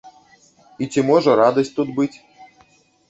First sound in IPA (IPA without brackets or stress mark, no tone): i